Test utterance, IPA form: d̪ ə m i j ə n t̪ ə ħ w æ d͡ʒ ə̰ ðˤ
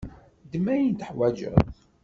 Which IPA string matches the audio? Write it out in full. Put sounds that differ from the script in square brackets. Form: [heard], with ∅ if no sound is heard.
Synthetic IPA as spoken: d̪ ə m [æ] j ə n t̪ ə ħ w æ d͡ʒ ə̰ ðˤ